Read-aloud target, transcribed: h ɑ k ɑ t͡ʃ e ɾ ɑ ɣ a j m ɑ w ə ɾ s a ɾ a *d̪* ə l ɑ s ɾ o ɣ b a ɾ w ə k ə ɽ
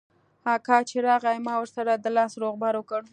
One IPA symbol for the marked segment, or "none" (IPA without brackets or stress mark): d̪